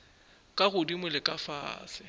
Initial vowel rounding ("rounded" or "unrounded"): unrounded